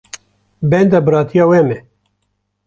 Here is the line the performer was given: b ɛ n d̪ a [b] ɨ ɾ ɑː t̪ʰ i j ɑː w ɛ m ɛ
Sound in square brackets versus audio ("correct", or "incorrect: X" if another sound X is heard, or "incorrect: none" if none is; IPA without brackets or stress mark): correct